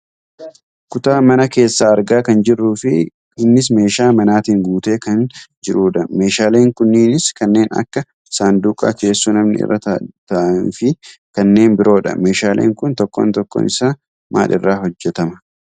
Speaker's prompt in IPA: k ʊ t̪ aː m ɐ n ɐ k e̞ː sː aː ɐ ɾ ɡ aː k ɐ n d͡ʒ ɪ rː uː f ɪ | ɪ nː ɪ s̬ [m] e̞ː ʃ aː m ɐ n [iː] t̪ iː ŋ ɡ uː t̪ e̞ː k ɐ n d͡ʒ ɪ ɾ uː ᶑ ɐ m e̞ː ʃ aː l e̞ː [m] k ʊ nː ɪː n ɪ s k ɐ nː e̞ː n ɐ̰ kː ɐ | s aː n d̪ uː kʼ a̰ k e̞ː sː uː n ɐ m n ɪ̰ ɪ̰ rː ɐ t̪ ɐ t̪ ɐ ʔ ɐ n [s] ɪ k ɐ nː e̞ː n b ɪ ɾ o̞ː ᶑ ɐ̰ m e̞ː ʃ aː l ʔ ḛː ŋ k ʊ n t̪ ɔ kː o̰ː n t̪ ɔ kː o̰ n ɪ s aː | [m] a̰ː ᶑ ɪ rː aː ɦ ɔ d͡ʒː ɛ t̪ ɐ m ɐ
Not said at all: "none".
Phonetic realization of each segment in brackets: m, aː, ŋ, f, m

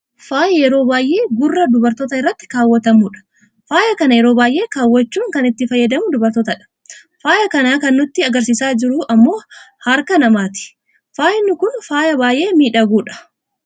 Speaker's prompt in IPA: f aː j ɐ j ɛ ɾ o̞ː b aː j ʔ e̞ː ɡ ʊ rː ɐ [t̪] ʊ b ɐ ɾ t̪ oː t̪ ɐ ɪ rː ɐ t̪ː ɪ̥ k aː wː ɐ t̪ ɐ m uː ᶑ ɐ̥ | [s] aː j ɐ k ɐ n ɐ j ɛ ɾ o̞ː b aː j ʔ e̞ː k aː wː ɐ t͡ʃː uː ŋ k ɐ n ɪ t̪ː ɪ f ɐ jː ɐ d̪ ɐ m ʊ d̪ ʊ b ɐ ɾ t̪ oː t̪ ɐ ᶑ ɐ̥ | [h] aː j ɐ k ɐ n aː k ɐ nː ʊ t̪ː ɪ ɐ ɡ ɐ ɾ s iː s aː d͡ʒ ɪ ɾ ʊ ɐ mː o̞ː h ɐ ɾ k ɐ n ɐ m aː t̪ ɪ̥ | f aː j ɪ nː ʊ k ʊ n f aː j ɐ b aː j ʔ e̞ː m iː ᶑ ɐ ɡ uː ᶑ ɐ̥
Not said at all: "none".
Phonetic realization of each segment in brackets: d̪, f, f

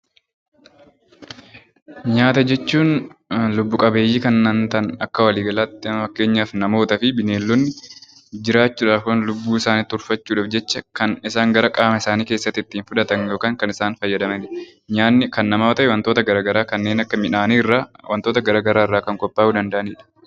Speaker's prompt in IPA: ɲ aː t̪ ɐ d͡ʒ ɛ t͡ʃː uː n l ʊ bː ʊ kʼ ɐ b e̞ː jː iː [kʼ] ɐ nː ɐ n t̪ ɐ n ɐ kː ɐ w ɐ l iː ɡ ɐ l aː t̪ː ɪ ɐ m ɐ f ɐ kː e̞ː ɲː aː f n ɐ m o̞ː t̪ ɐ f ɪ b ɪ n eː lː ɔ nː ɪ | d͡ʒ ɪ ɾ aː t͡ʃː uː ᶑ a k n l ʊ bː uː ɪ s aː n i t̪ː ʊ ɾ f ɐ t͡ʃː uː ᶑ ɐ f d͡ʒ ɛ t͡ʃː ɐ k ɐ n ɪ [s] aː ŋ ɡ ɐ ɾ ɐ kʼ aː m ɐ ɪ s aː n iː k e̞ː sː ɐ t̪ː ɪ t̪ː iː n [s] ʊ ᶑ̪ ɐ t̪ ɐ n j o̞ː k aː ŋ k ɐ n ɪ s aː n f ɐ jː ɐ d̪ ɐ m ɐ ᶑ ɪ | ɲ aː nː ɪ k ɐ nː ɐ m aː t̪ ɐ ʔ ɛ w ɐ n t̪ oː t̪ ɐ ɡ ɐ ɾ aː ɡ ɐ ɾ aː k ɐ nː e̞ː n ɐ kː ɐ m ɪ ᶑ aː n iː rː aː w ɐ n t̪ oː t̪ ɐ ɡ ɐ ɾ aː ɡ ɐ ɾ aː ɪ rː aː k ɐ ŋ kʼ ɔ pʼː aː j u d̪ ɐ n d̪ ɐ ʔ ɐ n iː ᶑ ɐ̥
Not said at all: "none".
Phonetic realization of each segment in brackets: k, s, f

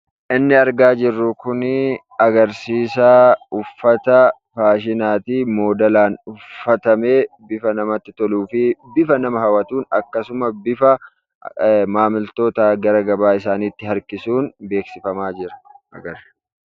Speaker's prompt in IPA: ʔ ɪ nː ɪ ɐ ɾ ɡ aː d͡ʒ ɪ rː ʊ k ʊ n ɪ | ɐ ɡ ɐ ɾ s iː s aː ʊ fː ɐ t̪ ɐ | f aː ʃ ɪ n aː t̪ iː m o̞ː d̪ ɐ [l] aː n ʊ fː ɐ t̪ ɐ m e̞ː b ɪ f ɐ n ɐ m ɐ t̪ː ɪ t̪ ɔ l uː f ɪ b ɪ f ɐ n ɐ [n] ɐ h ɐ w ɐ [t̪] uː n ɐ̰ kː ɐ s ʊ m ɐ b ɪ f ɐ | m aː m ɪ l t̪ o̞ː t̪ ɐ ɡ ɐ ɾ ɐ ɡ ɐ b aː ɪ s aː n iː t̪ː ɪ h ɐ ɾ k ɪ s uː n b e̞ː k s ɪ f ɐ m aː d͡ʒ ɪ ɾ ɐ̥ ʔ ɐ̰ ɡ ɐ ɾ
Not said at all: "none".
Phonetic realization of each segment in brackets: l, m, t̪

